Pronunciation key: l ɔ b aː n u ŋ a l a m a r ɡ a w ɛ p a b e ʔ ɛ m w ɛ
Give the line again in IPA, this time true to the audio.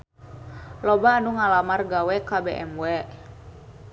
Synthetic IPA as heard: l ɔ b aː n u ŋ a l a m a r ɡ a w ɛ k a b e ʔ ɛ m w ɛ